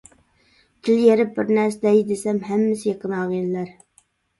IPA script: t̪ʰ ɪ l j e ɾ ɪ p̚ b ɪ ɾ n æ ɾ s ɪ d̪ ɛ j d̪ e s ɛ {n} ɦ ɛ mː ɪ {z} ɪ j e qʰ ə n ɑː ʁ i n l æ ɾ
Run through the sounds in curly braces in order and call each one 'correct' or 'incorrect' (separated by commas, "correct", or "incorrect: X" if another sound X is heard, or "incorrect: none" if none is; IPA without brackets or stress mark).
incorrect: m, incorrect: s